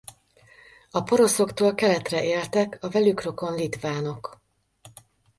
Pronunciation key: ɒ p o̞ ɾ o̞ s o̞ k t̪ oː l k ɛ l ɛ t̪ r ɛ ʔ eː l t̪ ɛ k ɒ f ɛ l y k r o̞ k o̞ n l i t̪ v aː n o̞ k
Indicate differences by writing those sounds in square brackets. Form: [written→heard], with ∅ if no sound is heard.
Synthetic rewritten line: ɒ p o̞ ɾ o̞ s o̞ k t̪ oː l k ɛ l ɛ t̪ r ɛ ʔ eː l t̪ ɛ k ɒ [f→v] ɛ l y k r o̞ k o̞ n l i t̪ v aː n o̞ k